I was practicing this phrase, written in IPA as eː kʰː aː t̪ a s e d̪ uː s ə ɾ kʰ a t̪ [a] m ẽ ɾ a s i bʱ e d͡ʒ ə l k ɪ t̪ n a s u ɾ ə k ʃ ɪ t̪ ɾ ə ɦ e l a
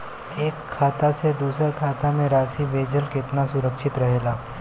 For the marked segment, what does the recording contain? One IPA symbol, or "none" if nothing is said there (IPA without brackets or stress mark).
a